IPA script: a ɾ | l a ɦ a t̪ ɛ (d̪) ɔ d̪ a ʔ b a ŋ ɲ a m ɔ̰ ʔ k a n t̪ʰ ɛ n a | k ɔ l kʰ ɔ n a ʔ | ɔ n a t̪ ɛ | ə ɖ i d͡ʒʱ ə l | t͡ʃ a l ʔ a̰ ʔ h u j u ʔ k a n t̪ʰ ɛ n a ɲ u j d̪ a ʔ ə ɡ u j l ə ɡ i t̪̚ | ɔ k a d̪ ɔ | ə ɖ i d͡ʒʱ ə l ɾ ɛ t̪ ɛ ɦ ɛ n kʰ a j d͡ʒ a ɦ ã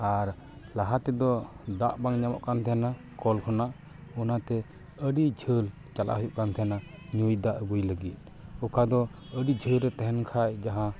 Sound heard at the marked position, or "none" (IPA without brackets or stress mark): d̪